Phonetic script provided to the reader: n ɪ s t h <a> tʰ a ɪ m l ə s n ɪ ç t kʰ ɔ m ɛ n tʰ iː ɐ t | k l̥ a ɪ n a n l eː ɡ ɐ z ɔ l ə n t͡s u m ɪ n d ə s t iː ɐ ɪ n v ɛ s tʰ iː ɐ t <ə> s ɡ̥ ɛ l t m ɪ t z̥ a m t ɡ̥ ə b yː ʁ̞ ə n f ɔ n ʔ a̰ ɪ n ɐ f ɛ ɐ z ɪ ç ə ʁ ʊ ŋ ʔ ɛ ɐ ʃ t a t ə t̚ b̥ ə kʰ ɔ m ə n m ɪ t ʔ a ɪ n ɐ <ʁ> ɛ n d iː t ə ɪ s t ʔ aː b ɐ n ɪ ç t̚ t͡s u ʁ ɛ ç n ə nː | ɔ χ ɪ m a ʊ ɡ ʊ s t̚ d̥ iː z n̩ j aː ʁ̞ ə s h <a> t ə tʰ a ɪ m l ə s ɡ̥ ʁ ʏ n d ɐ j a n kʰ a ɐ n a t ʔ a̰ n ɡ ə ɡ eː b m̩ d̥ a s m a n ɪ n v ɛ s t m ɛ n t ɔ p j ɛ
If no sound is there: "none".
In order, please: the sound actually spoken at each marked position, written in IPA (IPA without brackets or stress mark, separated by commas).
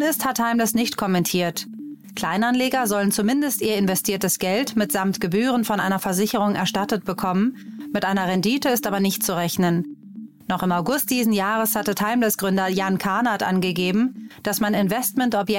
a, ə, ʁ, a